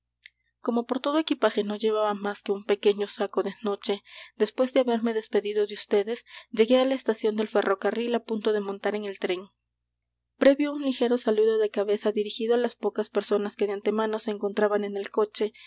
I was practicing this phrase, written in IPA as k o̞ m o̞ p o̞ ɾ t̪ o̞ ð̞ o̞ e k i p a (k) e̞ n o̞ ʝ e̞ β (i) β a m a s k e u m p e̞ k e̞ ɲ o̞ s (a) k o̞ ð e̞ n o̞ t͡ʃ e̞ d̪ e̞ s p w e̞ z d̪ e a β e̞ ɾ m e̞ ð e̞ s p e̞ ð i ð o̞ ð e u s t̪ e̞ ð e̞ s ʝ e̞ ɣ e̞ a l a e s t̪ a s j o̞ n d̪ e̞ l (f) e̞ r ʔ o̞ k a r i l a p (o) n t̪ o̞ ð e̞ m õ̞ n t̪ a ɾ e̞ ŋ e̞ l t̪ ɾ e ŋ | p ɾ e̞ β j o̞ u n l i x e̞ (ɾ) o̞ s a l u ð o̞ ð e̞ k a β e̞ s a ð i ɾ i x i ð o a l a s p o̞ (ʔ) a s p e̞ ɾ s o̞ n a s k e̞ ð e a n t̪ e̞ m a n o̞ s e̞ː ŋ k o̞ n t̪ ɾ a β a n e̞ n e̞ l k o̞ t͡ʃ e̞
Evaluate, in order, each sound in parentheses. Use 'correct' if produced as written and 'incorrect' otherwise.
incorrect: x, incorrect: a, correct, correct, incorrect: u, correct, incorrect: k

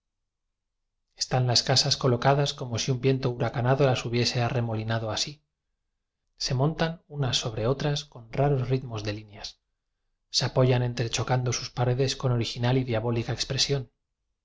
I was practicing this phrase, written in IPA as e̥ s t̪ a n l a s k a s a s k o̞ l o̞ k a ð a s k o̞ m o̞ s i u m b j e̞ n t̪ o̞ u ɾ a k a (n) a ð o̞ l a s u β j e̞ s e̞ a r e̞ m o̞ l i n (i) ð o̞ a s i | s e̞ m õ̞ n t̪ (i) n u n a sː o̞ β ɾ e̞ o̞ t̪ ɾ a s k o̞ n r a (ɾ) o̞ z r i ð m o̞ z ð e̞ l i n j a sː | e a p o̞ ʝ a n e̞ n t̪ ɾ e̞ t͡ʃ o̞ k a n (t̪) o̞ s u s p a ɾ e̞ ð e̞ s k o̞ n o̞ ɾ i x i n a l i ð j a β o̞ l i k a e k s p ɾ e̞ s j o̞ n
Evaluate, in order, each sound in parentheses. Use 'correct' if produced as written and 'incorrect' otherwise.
correct, incorrect: a, incorrect: a, correct, incorrect: d̪

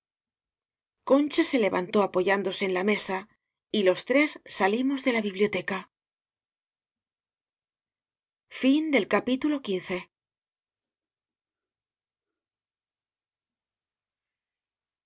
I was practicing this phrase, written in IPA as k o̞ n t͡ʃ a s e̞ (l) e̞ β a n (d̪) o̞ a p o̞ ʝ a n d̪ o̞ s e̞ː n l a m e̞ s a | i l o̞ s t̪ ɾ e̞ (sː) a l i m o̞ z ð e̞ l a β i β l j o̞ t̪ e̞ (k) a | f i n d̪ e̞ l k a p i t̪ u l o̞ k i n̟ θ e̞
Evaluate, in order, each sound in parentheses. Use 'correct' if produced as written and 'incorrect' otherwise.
correct, incorrect: t̪, correct, correct

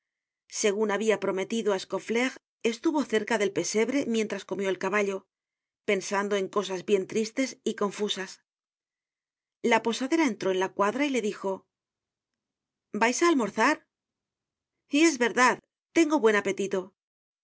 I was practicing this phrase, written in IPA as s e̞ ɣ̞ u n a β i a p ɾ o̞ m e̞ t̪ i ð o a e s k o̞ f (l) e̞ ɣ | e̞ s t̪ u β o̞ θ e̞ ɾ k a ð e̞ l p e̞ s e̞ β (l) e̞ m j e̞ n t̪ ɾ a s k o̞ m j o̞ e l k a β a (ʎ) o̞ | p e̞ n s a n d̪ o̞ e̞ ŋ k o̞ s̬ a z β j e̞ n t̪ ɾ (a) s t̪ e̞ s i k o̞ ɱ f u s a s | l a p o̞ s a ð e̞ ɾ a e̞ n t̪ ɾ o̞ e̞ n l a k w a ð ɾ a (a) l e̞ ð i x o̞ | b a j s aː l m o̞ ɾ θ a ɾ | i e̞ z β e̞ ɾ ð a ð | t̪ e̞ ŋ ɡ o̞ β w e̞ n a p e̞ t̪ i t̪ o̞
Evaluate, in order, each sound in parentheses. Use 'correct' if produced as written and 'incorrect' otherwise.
correct, incorrect: ɾ, correct, incorrect: i, incorrect: i

